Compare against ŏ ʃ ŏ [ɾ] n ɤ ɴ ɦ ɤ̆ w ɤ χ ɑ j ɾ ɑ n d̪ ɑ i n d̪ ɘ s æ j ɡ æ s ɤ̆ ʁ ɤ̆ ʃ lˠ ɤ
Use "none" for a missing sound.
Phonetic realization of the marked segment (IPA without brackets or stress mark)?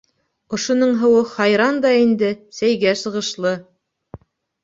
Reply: none